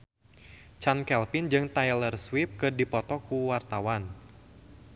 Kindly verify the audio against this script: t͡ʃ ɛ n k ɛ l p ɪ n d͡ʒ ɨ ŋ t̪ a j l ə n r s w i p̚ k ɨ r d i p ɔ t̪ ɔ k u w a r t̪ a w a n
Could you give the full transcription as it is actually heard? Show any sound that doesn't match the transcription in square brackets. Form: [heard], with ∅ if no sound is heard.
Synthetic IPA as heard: t͡ʃ [a] n k ɛ l p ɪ n d͡ʒ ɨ ŋ t̪ a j l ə [∅] r s w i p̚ k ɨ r d i p ɔ t̪ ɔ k u w a r t̪ a w a n